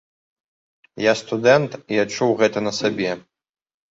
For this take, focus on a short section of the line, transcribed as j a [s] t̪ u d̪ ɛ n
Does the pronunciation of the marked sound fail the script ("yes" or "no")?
no